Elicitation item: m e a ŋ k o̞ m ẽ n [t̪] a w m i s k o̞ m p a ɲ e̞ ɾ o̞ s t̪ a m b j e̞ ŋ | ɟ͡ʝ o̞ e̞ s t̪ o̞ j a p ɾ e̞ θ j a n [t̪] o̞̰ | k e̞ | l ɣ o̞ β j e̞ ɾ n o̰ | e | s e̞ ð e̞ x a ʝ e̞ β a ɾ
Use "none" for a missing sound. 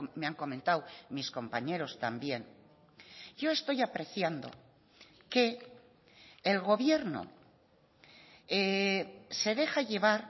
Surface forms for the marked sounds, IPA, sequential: t̪, d̪

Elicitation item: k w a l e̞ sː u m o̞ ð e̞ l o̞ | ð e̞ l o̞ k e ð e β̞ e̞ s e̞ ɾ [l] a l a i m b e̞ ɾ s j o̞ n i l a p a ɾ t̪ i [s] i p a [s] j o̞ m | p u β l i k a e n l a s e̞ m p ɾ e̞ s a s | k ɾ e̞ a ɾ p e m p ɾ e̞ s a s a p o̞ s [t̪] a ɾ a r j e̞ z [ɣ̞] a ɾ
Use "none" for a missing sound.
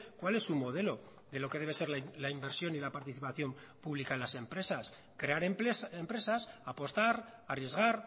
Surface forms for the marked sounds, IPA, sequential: l, θ, θ, t̪, ɣ̞

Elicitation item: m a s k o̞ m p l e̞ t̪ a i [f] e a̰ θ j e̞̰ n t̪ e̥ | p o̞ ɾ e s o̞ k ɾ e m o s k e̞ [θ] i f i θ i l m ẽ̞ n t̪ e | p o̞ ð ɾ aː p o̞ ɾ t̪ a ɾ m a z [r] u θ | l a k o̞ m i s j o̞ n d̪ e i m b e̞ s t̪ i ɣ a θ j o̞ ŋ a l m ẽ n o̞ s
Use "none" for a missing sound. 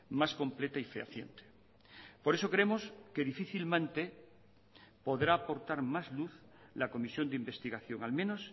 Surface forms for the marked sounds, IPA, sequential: f, ð, l

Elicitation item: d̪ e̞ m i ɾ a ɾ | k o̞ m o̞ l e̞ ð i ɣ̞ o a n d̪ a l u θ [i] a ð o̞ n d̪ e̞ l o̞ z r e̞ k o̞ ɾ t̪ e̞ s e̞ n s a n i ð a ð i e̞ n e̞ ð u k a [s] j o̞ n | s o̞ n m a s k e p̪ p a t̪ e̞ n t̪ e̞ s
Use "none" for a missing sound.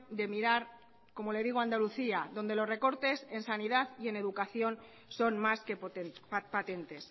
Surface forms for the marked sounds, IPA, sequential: i, θ

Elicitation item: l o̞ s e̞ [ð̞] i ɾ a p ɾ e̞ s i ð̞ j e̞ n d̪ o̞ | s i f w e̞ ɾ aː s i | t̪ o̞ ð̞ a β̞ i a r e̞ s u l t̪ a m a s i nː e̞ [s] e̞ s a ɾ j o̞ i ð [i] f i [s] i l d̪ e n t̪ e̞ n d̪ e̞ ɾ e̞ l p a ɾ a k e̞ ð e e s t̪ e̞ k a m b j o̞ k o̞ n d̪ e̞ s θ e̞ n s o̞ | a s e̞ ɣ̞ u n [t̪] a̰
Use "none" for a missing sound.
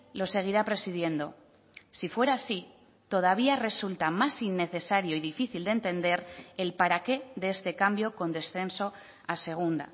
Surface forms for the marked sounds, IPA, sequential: ɣ̞, θ, i, θ, d̪

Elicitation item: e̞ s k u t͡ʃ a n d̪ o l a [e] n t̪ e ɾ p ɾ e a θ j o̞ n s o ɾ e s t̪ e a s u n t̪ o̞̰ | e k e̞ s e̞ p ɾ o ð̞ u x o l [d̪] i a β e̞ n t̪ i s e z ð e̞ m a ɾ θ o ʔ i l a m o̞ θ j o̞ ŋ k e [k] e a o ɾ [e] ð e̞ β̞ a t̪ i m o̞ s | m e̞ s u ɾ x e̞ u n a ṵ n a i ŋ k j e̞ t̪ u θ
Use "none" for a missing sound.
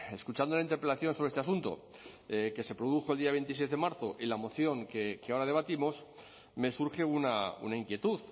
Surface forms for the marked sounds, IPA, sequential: i, d̪, k, a

